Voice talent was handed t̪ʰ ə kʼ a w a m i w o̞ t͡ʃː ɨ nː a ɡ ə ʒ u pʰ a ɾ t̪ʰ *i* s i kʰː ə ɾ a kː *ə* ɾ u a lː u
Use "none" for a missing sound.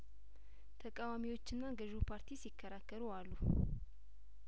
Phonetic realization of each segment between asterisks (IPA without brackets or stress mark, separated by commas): i, ə